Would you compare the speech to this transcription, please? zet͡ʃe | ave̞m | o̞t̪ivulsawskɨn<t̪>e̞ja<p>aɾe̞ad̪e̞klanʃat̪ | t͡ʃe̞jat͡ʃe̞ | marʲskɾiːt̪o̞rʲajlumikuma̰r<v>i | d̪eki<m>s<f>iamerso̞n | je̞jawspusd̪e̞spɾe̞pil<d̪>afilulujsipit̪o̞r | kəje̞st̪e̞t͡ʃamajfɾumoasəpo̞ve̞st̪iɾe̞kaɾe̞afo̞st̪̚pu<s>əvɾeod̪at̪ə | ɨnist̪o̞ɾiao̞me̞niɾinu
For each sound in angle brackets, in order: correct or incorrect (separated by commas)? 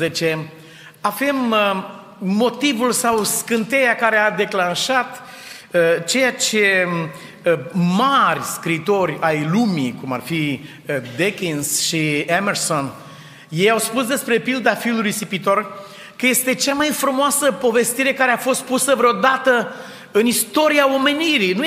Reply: correct, incorrect, incorrect, incorrect, incorrect, correct, correct